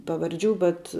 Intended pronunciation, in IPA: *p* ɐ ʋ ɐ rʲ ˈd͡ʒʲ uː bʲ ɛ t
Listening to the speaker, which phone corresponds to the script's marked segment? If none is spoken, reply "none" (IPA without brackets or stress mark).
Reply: p